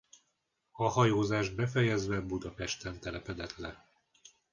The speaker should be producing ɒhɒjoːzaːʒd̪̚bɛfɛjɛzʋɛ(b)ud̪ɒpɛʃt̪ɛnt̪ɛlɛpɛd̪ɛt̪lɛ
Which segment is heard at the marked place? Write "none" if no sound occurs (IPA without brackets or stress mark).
b